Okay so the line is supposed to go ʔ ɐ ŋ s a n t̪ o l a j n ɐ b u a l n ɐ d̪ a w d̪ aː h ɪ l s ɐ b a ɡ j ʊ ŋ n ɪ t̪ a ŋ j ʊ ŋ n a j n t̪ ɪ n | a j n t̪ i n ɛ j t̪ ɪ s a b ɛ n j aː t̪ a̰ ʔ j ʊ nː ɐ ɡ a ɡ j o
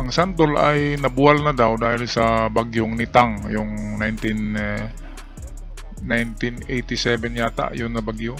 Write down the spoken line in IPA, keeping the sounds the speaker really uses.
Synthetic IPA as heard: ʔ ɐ ŋ s a n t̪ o l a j n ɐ b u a l n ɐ d̪ a w d̪ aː h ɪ l s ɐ b a ɡ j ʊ ŋ n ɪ t̪ a ŋ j ʊ ŋ n a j n t̪ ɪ n | a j n t̪ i n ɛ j t̪ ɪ s ɛ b ɛ n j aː t̪ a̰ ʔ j ʊ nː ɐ b a ɡ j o